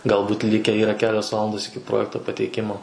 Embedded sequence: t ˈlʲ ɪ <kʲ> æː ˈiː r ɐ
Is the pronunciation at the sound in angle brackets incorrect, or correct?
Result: correct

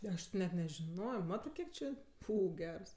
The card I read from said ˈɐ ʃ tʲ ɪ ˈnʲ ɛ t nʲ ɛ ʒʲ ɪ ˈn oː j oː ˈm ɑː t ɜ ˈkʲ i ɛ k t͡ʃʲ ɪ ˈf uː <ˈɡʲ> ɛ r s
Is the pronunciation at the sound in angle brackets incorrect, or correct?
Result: correct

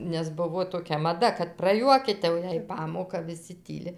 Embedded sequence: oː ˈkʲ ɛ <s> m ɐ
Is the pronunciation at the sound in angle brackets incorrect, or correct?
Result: incorrect: none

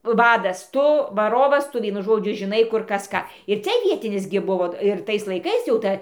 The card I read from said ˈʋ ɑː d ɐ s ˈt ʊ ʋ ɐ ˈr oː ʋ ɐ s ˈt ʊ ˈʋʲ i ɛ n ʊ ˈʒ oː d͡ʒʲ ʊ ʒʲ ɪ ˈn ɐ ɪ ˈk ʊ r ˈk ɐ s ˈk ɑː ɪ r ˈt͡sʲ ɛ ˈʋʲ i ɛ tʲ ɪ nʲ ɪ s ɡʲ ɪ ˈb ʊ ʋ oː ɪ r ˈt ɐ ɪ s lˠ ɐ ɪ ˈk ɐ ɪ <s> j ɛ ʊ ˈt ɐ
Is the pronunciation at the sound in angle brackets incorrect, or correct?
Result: correct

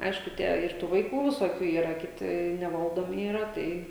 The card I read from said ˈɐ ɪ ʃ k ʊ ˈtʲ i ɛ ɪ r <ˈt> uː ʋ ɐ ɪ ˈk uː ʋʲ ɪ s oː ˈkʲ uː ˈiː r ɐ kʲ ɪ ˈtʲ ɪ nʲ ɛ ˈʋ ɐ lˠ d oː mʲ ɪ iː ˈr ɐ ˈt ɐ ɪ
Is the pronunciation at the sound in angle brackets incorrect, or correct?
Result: correct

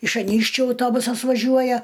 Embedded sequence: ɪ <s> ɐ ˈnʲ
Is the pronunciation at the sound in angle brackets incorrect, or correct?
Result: incorrect: ʃ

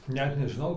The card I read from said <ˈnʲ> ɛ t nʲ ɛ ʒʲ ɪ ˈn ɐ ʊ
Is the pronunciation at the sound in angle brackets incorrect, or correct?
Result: correct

